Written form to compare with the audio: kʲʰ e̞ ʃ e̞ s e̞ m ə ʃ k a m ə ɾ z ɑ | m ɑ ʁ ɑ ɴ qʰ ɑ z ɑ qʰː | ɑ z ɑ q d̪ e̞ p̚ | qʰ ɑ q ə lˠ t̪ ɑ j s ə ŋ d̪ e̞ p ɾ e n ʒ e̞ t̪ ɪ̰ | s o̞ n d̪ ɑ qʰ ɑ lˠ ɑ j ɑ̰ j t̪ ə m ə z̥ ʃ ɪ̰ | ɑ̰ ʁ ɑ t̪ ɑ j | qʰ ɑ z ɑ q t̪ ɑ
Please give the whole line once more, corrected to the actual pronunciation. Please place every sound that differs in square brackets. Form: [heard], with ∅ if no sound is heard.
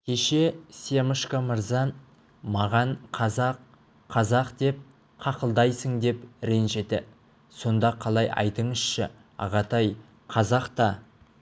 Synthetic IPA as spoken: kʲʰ e̞ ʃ e̞ s e̞ m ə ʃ k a m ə ɾ z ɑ | m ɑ ʁ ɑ ɴ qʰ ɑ z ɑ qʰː | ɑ z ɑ q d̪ e̞ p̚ | qʰ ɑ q ə lˠ [d̪] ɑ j s ə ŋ d̪ e̞ p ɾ e n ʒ e̞ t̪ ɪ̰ | s o̞ n d̪ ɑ qʰ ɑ lˠ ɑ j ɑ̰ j t̪ ə [ɴ] ə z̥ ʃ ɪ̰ | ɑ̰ ʁ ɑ t̪ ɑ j | qʰ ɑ z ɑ q t̪ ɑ